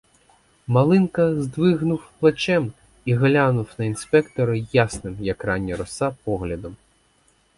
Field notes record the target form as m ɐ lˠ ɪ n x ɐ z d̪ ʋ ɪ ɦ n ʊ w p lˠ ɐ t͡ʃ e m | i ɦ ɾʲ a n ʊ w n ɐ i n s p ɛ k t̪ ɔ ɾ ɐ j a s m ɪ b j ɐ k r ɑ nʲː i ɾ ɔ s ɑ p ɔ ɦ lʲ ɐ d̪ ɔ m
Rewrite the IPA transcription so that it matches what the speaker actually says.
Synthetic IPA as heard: m ɐ lˠ ɪ n k ɐ z d̪ ʋ ɪ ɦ n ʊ w p lˠ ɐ t͡ʃ ɛ m | i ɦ lʲ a n ʊ w n ɐ i n s p ɛ k t̪ ɔ ɾ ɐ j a s n ɪ m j ɐ k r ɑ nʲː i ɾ ɔ s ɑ p ɔ ɦ lʲ ɐ d̪ ɔ m